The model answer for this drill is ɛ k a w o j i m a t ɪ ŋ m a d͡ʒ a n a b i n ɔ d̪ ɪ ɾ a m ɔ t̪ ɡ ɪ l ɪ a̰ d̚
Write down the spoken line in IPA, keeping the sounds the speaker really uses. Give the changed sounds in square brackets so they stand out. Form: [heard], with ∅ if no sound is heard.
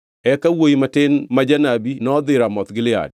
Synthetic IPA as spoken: ɛ k a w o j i m a t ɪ [n] m a d͡ʒ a n a b i n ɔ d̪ ɪ ɾ a m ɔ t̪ ɡ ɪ l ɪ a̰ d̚